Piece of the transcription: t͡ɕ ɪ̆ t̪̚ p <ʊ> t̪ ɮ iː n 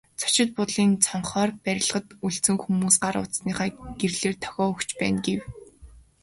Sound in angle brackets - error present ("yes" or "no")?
no